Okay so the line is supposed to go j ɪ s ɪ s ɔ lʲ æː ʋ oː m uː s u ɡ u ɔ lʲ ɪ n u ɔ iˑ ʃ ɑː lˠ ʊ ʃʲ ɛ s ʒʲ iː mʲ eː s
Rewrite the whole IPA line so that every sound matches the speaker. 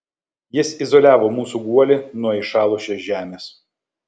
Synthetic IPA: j ɪ s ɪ z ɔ lʲ æː ʋ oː m uː s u ɡ u ɔ lʲ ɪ n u ɔ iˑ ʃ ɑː lˠ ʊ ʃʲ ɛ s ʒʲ æː mʲ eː s